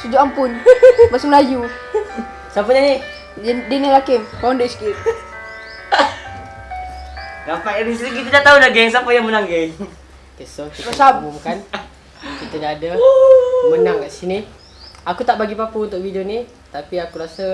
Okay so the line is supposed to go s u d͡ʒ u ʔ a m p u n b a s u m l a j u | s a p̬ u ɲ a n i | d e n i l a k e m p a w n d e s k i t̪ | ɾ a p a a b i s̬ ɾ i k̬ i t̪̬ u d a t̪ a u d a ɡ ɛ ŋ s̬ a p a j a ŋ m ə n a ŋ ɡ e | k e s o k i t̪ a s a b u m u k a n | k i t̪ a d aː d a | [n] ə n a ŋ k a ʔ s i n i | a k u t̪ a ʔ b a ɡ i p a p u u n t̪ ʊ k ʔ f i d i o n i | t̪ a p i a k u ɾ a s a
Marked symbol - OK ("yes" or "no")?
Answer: no